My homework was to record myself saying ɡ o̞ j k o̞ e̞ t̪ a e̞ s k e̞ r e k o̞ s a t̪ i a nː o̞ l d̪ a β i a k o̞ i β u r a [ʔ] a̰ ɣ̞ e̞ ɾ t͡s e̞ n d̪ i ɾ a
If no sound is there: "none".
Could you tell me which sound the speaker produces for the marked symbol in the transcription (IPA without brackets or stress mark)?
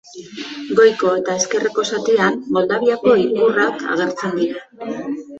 k